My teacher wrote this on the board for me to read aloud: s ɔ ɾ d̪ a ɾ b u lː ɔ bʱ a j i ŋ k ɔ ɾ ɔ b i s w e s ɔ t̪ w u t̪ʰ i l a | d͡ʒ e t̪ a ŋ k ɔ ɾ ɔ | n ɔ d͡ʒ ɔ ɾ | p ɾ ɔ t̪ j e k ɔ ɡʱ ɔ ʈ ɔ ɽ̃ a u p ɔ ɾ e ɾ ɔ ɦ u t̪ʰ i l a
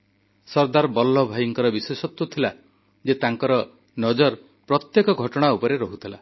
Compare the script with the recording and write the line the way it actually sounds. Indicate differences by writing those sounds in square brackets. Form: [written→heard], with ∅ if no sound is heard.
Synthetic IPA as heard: s ɔ ɾ d̪ a ɾ b [u→ɔ] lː ɔ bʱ a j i ŋ k ɔ ɾ ɔ b i s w e s ɔ t̪ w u t̪ʰ i l a | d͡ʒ e t̪ a ŋ k ɔ ɾ ɔ | n ɔ d͡ʒ ɔ ɾ | p ɾ ɔ t̪ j e k ɔ ɡʱ ɔ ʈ ɔ ɽ̃ a u p ɔ ɾ e ɾ ɔ ɦ u t̪ʰ i l a